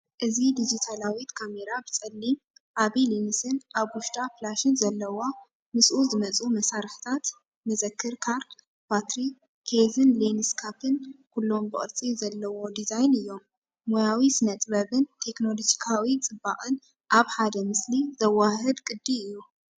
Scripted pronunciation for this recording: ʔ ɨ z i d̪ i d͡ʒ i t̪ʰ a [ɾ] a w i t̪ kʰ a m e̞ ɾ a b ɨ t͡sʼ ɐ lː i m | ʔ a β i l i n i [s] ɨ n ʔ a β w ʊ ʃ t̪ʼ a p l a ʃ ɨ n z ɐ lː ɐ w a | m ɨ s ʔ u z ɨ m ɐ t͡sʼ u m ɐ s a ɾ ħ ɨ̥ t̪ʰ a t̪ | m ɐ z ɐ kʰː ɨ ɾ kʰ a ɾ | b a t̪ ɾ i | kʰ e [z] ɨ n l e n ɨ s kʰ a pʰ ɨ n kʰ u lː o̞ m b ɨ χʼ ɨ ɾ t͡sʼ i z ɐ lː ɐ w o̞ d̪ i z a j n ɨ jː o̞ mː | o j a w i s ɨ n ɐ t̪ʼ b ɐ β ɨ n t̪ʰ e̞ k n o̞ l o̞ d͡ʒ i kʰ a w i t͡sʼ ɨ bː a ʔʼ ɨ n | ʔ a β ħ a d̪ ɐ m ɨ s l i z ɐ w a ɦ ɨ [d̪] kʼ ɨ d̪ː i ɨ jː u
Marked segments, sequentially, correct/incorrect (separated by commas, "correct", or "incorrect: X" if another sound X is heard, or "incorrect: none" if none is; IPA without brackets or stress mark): incorrect: l, correct, correct, correct